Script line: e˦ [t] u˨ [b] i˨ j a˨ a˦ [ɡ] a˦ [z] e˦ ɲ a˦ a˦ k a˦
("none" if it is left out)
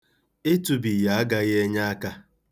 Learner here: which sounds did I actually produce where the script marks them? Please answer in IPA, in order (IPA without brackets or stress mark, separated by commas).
t, b, ɡ, ɣ